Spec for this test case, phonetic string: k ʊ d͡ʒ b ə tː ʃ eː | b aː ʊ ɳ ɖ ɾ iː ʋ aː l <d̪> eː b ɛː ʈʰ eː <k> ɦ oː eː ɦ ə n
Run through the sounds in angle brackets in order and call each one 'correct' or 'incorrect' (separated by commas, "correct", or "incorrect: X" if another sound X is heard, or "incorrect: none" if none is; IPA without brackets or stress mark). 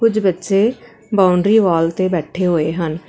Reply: incorrect: t̪, incorrect: none